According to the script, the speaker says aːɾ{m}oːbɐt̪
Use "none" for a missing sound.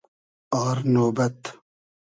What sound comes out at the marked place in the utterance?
n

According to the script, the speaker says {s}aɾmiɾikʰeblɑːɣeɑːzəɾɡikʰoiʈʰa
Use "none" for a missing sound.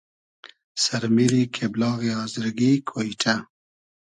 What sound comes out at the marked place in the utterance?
s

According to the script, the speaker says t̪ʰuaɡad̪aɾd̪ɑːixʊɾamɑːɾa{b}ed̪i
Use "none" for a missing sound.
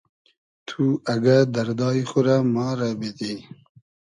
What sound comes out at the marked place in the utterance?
b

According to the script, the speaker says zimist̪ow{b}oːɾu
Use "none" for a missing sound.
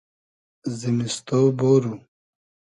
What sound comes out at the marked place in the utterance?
b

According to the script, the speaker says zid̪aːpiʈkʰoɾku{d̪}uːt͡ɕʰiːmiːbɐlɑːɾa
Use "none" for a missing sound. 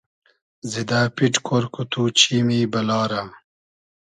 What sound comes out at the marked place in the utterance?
t̪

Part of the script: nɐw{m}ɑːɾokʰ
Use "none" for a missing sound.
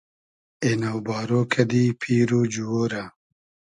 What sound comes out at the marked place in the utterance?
b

